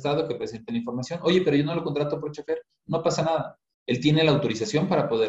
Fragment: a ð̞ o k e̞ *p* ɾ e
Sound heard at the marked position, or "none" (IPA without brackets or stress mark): p